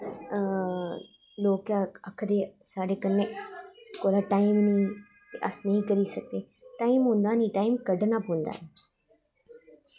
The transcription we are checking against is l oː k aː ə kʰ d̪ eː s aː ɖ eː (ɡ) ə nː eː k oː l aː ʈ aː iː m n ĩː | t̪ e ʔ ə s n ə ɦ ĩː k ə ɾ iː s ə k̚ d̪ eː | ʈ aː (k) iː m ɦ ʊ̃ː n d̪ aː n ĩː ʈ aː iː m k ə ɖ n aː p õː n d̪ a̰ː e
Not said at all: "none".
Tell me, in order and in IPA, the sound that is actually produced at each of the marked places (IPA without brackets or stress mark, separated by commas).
k, none